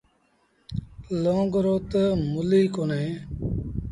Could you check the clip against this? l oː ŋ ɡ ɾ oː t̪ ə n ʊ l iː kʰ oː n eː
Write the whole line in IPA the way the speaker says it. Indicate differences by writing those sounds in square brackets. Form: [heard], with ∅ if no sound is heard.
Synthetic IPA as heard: l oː ŋ ɡ ɾ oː t̪ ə [m] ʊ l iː [k] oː n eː